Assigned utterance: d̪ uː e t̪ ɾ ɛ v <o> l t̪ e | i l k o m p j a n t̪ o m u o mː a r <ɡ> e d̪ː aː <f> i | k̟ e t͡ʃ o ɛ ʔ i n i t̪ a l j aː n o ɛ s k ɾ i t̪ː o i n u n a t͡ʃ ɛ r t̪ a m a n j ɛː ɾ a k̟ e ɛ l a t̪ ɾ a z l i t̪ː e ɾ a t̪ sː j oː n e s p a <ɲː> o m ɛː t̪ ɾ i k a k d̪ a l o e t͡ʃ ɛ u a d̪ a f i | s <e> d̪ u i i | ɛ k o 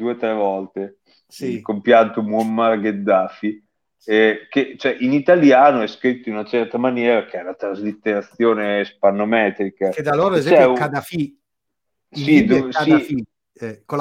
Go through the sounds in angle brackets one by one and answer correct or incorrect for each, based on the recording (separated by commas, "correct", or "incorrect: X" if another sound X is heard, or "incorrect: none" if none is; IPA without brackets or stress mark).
incorrect: ɔ, correct, correct, incorrect: nː, incorrect: i